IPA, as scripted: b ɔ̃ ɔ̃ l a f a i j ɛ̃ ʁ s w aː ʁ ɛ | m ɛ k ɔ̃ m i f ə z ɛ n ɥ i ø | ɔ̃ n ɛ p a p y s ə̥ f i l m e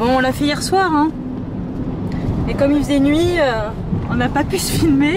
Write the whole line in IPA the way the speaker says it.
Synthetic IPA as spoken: b ɔ̃ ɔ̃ l a f ɛ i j ɛ ʁ s w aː ʁ ɛ̃ | m ɛ k ɔ m i f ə z ɛ n ɥ i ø | ɔ̃ n a p a p y s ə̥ f i l m e

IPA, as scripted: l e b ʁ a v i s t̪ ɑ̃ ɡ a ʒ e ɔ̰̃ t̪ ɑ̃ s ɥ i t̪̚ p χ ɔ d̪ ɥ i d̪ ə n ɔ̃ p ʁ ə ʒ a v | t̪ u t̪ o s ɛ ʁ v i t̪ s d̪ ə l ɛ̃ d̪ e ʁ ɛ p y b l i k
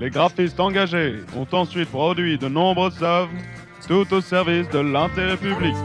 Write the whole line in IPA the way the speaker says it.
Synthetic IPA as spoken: l e ɡ ʁ a f i s t̪ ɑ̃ ɡ a ʒ e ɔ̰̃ t̪ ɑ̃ s ɥ i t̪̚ p χ ɔ d̪ ɥ i d̪ ə n ɔ̃ b ʁ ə z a v | t̪ u t̪ o s ɛ ʁ v i s d̪ ə l ɛ̃ t̪ e ʁ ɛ p y b l i k

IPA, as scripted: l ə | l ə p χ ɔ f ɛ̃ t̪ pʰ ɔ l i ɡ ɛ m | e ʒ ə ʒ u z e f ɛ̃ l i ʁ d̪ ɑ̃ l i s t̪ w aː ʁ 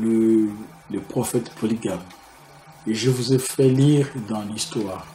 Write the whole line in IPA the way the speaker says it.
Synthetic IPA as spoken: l ə | l ə p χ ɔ f ɛ t̪ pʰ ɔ l i ɡ a m | e ʒ ə v u z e f ɛ l i ʁ d̪ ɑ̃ l i s t̪ w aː ʁ

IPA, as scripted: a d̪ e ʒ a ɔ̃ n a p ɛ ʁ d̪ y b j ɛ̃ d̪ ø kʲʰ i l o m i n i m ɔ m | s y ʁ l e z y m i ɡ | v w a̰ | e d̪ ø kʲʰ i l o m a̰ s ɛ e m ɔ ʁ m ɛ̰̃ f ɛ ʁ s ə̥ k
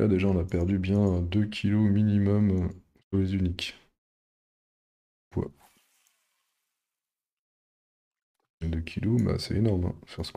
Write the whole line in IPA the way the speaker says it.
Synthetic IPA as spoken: a d̪ e ʒ a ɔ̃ n a p ɛ ʁ d̪ y b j ɛ̃ d̪ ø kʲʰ i l o m i n i m ɔ m | s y ʁ l e z y n i k | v w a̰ | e d̪ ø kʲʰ i l o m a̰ s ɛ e n ɔ ʁ m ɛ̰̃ f ɛ ʁ s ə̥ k

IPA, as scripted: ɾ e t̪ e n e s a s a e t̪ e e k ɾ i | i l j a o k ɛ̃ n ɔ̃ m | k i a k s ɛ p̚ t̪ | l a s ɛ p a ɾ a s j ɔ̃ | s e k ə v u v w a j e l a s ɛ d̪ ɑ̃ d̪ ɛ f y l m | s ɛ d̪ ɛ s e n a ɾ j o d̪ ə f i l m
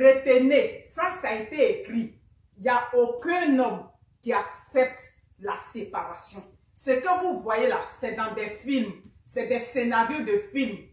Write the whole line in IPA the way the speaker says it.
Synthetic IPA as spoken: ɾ e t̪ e n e s a s a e t̪ e e k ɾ i | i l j a o k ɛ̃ n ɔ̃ m | k i a k s ɛ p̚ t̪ | l a s e p a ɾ a s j ɔ̃ | s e k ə v u v w a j e l a s ɛ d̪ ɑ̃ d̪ ɛ f i l m | s ɛ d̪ ɛ s e n a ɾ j o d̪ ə f i l m

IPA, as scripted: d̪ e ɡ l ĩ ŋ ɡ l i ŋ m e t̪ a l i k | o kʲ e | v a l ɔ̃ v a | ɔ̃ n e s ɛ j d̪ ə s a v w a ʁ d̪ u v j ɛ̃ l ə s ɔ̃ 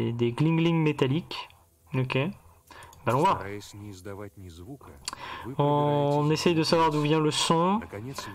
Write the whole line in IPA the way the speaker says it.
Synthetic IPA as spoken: d̪ e ɡ l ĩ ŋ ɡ l i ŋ m e t̪ a l i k | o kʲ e | b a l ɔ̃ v a | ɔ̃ n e s ɛ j d̪ ə s a v w a ʁ d̪ u v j ɛ̃ l ə s ɔ̃

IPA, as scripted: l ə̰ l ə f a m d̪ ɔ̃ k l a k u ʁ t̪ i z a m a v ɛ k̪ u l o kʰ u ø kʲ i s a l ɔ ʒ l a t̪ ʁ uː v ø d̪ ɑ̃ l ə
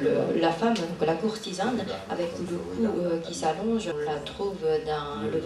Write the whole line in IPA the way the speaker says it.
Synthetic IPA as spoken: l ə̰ l a f a m d̪ ɔ̃ k l a k u ʁ t̪ i z a n a v ɛ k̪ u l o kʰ u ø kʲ i s a l ɔ̃ ʒ l a t̪ χ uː v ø d̪ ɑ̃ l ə

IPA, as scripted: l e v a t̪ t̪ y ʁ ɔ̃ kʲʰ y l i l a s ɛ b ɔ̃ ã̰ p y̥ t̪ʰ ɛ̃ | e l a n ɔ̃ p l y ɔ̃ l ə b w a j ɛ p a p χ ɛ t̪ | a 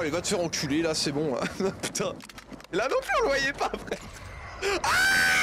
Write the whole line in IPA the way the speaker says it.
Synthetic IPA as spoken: l e v a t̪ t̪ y ʁ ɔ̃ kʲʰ y l e l a s ɛ b ɔ̃ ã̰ p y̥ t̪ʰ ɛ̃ | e l a n ɔ̃ p l y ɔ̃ l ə v w a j ɛ p a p χ ɛ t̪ | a

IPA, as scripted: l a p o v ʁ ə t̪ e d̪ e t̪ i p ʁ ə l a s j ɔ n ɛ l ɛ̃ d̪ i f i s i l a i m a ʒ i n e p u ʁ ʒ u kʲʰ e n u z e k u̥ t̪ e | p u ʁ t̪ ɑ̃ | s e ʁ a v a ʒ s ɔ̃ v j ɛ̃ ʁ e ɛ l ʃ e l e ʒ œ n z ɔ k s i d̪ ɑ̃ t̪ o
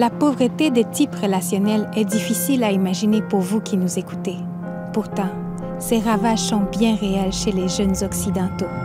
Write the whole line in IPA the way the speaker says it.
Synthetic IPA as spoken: l a p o v ʁ ə t̪ e d̪ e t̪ i p ʁ ə l a s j ɔ n ɛ l ɛ d̪ i f i s i l a i m a ʒ i n e p u ʁ v u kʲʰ i n u z e k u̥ t̪ e | p u ʁ t̪ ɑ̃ | s e ʁ a v a ʒ s ɔ̃ b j ɛ̃ ʁ e ɛ l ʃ e l e ʒ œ n z ɔ k s i d̪ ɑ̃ t̪ o

